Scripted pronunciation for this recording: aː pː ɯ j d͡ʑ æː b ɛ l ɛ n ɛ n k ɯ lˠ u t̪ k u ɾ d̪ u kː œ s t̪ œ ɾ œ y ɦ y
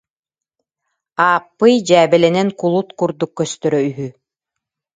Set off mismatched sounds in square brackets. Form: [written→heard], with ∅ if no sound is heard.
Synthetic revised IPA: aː pː ɯ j d͡ʑ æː b ɛ l ɛ n ɛ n k [ɯ→u] lˠ u t̪ k u ɾ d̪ u kː œ s t̪ œ ɾ œ y ɦ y